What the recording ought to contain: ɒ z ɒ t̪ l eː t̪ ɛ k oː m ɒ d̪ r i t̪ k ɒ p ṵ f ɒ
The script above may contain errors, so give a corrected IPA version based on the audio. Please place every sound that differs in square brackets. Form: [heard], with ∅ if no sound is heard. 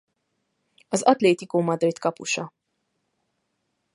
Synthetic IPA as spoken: ɒ z ɒ t̪ l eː t̪ [i] k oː m ɒ d̪ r i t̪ k ɒ p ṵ [ʃ] ɒ

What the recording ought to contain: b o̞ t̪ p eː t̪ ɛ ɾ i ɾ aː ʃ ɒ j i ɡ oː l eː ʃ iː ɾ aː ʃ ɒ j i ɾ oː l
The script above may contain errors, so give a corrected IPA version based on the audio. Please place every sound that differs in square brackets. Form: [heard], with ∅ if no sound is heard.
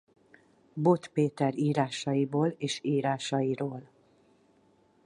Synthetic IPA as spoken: b o̞ t̪ p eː t̪ ɛ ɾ [iː] ɾ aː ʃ ɒ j i [b] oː l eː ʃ iː ɾ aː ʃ ɒ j i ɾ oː l

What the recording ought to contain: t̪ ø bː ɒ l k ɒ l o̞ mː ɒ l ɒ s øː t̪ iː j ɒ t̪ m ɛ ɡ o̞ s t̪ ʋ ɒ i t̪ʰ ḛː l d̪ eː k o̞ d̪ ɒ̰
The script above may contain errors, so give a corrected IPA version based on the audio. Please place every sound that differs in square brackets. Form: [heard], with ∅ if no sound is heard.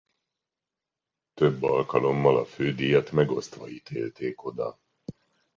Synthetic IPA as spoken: t̪ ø bː ɒ l k ɒ l o̞ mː ɒ l ɒ [f] øː [d̪] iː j ɒ t̪ m ɛ ɡ o̞ s t̪ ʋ ɒ i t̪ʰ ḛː l [t̪] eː k o̞ d̪ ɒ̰

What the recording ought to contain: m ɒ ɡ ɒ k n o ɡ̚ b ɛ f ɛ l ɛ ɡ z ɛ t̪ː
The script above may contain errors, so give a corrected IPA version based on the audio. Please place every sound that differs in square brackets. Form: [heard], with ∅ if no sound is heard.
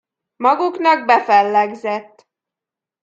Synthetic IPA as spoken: m ɒ ɡ [u] k n [ɒ] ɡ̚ b ɛ f ɛ [lː] ɛ ɡ z ɛ t̪ː

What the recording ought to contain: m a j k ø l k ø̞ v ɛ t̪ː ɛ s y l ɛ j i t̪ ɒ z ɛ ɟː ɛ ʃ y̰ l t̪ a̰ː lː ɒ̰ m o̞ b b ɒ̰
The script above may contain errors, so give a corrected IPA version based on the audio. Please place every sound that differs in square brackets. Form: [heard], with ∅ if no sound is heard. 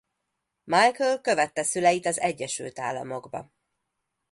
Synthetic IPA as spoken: m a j k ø l k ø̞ v ɛ t̪ː ɛ s y l ɛ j i t̪ ɒ z ɛ ɟː ɛ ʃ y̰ l t̪ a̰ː lː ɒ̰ m o̞ [ɡ] b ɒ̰

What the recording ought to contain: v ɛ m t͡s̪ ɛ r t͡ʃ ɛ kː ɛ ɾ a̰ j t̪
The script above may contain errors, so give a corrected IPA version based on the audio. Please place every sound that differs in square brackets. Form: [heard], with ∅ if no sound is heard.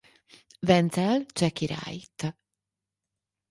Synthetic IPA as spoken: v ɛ [n] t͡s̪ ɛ [l] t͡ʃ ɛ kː [i] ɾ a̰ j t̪

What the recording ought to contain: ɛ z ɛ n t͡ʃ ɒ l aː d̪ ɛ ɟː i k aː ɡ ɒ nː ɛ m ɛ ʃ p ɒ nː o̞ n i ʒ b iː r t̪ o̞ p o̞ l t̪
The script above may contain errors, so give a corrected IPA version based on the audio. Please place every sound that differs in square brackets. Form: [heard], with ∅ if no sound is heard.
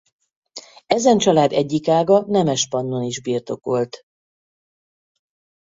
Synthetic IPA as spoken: ɛ z ɛ n t͡ʃ ɒ l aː d̪ ɛ ɟː i k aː ɡ ɒ [n] ɛ m ɛ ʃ p ɒ nː o̞ n i ʒ b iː r t̪ o̞ [k] o̞ l t̪

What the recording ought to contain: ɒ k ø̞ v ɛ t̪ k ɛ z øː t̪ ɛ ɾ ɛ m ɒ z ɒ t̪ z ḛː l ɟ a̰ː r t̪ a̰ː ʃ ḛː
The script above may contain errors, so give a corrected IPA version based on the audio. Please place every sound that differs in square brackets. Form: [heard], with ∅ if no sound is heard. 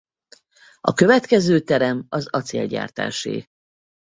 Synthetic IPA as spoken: ɒ k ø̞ v ɛ t̪ k ɛ z øː t̪ ɛ ɾ ɛ m ɒ z ɒ t̪ [s] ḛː l ɟ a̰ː r t̪ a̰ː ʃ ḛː

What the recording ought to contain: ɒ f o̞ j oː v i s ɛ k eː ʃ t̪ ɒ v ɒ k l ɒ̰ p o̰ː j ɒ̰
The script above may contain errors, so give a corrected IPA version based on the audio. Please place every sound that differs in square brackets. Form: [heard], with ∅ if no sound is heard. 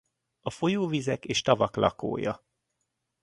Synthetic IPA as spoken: ɒ f o̞ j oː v i [z] ɛ k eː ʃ t̪ ɒ v ɒ k l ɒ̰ [k] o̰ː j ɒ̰

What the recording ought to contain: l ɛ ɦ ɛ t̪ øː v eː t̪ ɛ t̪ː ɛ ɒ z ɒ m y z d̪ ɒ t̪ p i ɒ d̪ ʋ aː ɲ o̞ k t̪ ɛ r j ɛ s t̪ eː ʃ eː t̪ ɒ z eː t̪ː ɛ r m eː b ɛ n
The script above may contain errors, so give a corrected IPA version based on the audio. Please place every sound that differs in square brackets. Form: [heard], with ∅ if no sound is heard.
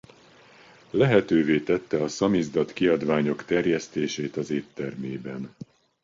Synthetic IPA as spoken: l ɛ ɦ ɛ t̪ øː v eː t̪ ɛ t̪ː ɛ ɒ [s] ɒ m [i] z d̪ ɒ t̪ [k] i ɒ d̪ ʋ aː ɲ o̞ k t̪ ɛ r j ɛ s t̪ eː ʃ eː t̪ ɒ z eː t̪ː ɛ r m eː b ɛ n

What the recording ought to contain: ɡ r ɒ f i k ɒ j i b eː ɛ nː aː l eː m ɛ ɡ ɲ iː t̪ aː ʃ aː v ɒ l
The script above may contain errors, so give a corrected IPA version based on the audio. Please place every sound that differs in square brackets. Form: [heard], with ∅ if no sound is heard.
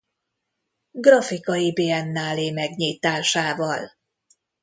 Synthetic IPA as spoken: ɡ r ɒ f i k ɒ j i b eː ɛ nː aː l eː m ɛ ɡ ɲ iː t̪ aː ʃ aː v ɒ l

